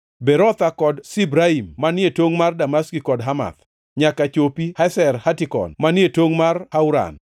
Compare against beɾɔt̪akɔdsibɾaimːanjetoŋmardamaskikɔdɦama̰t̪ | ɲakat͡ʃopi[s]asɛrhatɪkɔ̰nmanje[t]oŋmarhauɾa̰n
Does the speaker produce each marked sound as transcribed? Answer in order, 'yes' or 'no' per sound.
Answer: no, yes

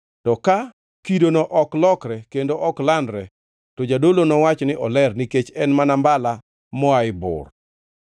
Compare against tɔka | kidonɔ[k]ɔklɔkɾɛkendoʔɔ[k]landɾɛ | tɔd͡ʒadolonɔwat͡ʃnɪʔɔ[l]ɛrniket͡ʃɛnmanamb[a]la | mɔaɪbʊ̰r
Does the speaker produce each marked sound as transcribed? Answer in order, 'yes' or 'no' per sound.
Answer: no, yes, yes, yes

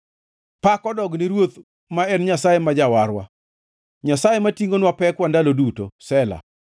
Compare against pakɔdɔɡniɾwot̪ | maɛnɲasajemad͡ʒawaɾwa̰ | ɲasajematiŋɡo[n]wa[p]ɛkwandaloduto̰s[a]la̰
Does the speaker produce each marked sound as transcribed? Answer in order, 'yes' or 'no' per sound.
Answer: yes, yes, no

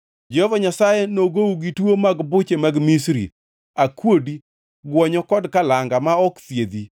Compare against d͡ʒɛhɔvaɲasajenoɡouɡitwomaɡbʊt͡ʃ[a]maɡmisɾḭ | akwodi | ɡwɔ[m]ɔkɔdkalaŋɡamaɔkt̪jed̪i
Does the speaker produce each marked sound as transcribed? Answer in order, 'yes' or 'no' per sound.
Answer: no, no

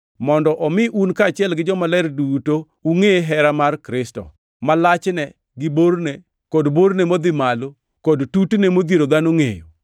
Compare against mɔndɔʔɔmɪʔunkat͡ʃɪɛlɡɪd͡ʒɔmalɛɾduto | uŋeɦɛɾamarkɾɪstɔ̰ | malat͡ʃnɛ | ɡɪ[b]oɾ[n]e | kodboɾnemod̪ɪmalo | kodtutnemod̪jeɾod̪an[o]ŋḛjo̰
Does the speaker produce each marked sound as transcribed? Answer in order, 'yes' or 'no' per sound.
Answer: yes, yes, yes

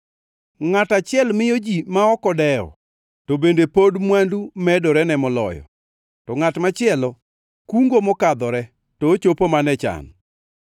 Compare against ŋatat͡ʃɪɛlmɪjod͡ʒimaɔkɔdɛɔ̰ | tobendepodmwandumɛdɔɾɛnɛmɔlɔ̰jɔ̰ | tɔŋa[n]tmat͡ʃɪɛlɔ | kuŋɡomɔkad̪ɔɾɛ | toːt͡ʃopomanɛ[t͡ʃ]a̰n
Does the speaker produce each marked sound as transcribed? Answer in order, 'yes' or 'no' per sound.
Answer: no, yes

